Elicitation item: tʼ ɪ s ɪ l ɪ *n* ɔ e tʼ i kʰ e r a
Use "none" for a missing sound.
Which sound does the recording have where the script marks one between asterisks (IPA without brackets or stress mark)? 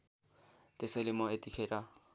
m